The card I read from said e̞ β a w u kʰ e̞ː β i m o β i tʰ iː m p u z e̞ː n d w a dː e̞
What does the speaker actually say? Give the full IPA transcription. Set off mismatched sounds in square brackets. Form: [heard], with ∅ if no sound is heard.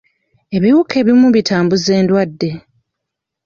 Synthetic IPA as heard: e̞ β [i] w u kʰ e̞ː β i m [u] β i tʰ [aː] m [b] u z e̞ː n d w a dː e̞